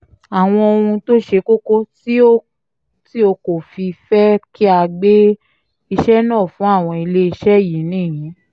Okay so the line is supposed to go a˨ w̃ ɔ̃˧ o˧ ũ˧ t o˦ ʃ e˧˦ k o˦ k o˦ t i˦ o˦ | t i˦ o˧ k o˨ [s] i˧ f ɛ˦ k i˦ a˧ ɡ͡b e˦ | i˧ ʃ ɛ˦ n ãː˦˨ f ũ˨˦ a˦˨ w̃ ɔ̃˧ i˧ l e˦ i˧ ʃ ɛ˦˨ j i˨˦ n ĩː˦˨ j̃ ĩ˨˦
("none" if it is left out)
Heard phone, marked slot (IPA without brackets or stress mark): f